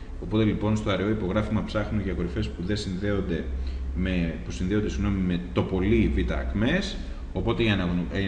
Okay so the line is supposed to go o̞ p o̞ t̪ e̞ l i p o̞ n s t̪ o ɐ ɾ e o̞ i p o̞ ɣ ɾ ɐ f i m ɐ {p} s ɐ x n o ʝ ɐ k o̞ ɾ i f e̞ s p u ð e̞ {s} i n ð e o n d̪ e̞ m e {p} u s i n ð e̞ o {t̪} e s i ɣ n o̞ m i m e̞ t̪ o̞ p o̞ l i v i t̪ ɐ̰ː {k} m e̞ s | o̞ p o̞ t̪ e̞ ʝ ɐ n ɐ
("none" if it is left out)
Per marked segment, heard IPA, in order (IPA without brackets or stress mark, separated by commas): p, s, p, d̪, k